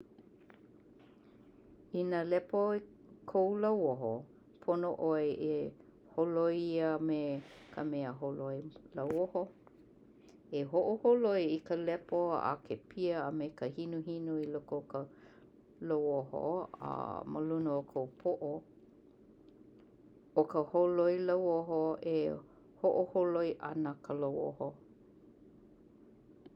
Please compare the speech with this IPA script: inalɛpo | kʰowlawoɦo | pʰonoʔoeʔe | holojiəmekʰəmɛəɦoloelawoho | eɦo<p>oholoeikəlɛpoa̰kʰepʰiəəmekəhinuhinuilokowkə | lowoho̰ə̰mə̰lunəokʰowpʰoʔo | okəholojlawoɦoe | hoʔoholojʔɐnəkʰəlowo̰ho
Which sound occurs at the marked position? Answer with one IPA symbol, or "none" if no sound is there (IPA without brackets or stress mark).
ʔ